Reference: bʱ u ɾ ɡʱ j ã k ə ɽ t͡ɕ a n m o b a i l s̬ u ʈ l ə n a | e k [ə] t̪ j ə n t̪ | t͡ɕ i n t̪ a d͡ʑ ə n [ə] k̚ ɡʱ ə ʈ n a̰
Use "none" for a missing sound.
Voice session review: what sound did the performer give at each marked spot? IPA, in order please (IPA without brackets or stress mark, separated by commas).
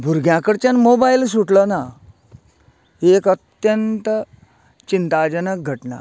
ə, ə